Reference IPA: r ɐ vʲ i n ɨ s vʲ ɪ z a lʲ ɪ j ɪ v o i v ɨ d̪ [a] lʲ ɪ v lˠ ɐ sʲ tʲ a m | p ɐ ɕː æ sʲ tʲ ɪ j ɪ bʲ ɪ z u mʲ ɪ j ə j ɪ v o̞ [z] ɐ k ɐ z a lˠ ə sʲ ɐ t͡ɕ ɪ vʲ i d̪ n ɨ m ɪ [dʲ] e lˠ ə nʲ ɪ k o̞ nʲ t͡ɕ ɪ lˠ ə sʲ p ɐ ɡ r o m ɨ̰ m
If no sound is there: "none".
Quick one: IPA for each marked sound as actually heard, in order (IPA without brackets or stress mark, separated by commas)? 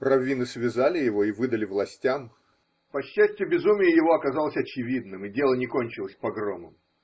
ə, none, dʲ